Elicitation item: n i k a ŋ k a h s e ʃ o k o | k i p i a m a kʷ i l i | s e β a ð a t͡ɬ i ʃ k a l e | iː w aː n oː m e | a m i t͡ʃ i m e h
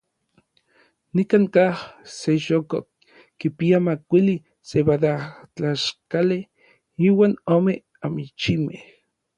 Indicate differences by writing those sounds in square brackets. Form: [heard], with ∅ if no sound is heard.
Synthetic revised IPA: n i k a ŋ k a h s e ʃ o k o | k i p i a m a kʷ i l i | s e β a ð a t͡ɬ [a] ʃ k a l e | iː w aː n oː m e | a m i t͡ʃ i m e h

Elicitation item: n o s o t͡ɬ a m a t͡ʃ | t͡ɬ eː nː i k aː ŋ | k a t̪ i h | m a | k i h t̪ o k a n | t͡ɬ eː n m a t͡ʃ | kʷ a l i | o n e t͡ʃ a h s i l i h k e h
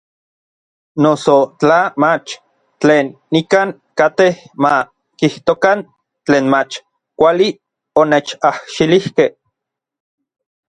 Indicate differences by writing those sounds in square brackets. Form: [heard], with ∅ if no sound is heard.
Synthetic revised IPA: n o s o t͡ɬ a m a t͡ʃ | t͡ɬ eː nː i k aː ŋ | k a t̪ [e] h | m a | k i h t̪ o k a n | t͡ɬ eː n m a t͡ʃ | kʷ a l i | o n e t͡ʃ a h [ʃ] i l i h k e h

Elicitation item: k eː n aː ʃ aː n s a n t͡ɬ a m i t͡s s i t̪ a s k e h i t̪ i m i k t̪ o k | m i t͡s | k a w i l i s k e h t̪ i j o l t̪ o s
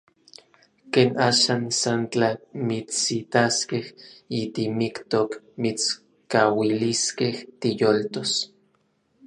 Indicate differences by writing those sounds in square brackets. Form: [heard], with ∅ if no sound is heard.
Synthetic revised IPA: k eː n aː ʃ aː n s a n t͡ɬ a m i t͡s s i t̪ a s k e h i t̪ i m i k t̪ o k | m i t͡s | k a w i l i s k e h t̪ i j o l t̪ o s

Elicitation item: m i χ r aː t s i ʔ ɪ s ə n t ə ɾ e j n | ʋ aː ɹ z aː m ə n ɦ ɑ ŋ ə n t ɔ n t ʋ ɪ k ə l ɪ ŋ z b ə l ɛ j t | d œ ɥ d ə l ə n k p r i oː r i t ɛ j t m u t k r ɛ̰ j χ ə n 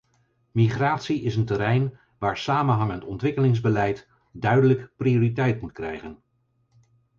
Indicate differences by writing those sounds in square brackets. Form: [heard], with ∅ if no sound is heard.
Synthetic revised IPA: m i χ r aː t s i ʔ ɪ s ə n t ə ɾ [ɛ] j n | ʋ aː ɹ [s] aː m ə n ɦ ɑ ŋ ə n t ɔ n t ʋ ɪ k ə l ɪ ŋ z b ə l ɛ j t | d œ ɥ d ə l ə [∅] k p r i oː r i t ɛ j t m u t k r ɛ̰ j χ ə n

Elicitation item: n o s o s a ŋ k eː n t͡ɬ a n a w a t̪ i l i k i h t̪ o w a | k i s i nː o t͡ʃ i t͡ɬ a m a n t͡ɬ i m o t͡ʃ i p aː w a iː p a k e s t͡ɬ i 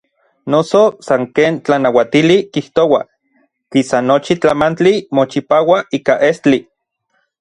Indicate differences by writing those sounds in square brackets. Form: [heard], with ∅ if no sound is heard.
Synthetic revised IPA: n o s o s a ŋ k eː n t͡ɬ a n a w a t̪ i l i k i h t̪ o w a | k i s [a] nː o t͡ʃ i t͡ɬ a m a n t͡ɬ i m o t͡ʃ i p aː w a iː [k] a [ʔ] e s t͡ɬ i

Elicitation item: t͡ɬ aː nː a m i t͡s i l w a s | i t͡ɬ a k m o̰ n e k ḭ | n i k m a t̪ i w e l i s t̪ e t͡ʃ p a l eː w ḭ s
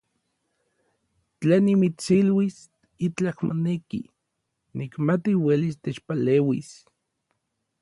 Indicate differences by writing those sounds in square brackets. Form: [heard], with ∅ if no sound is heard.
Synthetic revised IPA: t͡ɬ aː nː [i] m i t͡s i l w [i] s | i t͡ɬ a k m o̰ n e k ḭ | n i k m a t̪ i w e l i s t̪ e t͡ʃ p a l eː w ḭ s

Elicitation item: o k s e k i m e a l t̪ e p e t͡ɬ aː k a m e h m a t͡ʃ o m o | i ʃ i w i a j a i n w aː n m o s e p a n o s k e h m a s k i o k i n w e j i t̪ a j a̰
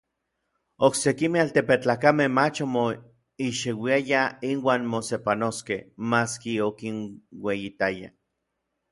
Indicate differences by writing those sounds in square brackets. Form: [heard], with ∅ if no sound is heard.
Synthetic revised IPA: o k s e k i m e a l t̪ e p e t͡ɬ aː k a m e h m a t͡ʃ o m o | i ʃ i w i a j a i n w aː n m o s e p a n o s k e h m a s k i o k i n w e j i t̪ a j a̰

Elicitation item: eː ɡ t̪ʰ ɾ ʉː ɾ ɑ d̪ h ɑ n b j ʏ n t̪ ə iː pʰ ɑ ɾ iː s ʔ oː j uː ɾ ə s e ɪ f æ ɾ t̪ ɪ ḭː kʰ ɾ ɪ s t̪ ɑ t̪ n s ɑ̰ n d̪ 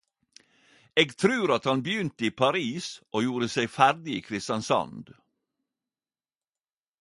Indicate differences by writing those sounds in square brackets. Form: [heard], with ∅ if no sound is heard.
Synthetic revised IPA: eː ɡ t̪ʰ ɾ ʉː ɾ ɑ [t̪] h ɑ n b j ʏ n t̪ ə iː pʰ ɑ ɾ iː s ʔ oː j uː ɾ ə s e ɪ f æ ɾ [d̪] ɪ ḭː kʰ ɾ ɪ s t̪ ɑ [∅] n s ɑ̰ n d̪

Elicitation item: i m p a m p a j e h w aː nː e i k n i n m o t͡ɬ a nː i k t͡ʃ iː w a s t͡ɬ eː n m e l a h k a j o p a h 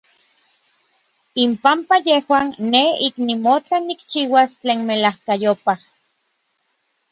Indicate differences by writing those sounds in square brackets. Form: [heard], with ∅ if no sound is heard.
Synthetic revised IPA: i m p a m p a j e h w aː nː e i k n i [∅] m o t͡ɬ a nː i k t͡ʃ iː w a s t͡ɬ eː n m e l a h k a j o p a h

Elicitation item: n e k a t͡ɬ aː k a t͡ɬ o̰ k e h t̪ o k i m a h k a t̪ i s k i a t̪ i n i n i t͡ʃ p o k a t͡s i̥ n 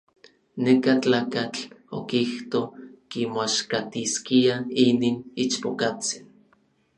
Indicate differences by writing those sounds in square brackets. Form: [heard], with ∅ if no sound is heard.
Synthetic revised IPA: n e k a t͡ɬ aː k a t͡ɬ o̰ k [i] h t̪ o k i m a [ʃ] k a t̪ i s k i a [∅] i n i n i t͡ʃ p o k a t͡s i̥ n

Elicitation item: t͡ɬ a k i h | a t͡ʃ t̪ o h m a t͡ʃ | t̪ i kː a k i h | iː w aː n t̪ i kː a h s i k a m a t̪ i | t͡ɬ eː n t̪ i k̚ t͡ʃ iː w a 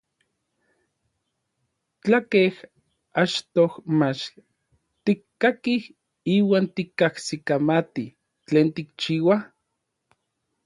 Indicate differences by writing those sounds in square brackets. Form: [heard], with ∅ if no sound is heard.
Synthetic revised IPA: t͡ɬ a k [e] h | a t͡ʃ t̪ o h m a t͡ʃ | t̪ i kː a k i h | iː w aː n t̪ i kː a h s i k a m a t̪ i | t͡ɬ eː n t̪ i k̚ t͡ʃ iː w a

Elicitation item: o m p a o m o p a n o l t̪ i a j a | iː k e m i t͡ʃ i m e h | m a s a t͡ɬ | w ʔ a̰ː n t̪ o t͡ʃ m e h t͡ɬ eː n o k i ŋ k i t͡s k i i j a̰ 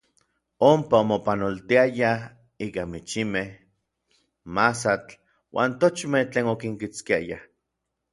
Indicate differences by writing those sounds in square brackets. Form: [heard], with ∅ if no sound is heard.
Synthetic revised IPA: o m p a o m o p a n o l t̪ i a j a | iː k [a] m i t͡ʃ i m e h | m a s a t͡ɬ | w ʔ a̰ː n t̪ o t͡ʃ m e h t͡ɬ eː n o k i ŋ k i t͡s k i [a] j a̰

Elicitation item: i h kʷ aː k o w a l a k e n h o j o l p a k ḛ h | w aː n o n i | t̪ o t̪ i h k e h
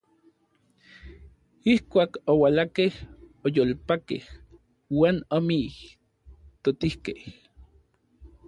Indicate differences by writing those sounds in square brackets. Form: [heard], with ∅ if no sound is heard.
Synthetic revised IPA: i h kʷ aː k o w a l a k e [∅] h o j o l p a k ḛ h | w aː n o [m] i | t̪ o t̪ i h k e h

